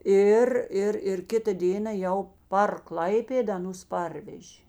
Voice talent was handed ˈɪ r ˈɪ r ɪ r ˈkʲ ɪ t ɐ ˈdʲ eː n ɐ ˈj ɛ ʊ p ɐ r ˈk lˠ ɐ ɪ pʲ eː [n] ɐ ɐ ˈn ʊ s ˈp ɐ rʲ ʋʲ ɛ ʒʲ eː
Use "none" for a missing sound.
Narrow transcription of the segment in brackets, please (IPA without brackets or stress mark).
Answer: d